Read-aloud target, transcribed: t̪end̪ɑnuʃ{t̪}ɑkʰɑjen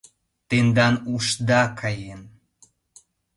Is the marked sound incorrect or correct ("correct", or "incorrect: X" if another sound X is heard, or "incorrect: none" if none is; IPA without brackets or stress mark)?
incorrect: d̪